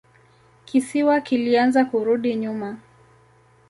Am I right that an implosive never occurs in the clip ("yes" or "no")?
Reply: no